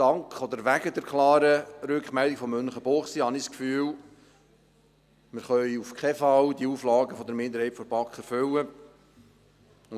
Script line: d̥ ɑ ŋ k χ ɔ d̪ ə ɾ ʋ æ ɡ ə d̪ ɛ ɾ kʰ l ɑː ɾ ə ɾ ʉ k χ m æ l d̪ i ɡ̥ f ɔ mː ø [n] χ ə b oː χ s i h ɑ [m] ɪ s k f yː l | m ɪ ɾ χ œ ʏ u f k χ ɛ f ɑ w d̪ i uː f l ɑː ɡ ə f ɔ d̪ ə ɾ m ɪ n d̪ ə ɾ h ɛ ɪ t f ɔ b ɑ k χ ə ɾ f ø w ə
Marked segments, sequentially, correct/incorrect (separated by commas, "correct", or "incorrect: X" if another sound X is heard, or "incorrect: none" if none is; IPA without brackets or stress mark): correct, incorrect: n